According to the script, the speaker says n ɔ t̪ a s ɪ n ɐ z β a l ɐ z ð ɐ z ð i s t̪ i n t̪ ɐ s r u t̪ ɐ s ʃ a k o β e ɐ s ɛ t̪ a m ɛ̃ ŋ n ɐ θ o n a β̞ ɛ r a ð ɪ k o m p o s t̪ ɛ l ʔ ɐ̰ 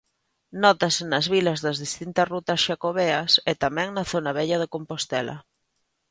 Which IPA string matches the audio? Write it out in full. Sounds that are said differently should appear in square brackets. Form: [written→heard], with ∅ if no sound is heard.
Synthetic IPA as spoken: n ɔ t̪ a s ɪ n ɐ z β [a→i] l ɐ z ð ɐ z ð i s t̪ i n t̪ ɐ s r u t̪ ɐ s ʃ a k o β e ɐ s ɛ t̪ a m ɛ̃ ŋ n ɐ θ o n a β̞ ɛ [r→ʎ] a ð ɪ k o m p o s t̪ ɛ l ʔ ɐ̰